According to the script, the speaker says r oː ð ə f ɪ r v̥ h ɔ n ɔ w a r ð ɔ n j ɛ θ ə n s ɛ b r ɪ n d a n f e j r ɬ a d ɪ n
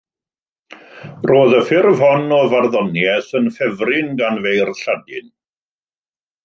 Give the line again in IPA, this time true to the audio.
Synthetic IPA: r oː ð ə f ɪ r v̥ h ɔ n ɔ v a r ð ɔ n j ɛ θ ə n f ɛ v r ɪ n ɡ a n v e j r ɬ a d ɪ n